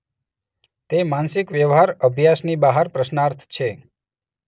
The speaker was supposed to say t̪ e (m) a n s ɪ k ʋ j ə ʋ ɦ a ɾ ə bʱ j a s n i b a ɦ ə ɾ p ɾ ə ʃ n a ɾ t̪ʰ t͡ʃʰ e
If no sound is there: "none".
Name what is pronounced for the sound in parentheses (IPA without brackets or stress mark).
m